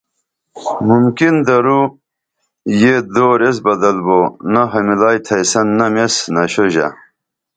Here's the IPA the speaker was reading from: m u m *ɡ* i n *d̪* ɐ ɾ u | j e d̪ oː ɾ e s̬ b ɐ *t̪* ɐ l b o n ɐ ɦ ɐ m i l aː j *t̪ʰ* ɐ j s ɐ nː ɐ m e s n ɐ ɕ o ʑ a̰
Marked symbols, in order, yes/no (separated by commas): no, yes, no, yes